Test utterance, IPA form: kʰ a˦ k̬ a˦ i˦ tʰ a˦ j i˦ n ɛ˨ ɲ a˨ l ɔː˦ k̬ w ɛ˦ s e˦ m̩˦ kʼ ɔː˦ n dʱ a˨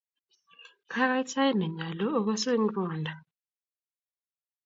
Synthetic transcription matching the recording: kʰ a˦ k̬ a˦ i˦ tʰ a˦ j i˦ n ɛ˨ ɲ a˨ l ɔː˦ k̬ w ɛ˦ s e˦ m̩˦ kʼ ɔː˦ n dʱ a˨